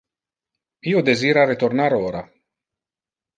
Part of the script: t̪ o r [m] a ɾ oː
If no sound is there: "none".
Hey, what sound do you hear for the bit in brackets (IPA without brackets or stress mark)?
n